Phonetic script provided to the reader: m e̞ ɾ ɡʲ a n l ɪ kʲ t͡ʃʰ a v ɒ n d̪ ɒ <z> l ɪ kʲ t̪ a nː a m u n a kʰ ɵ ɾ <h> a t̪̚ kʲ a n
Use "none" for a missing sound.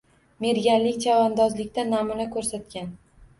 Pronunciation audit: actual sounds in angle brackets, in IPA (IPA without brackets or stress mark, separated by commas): z, s